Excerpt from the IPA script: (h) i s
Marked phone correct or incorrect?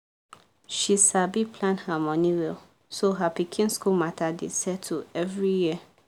incorrect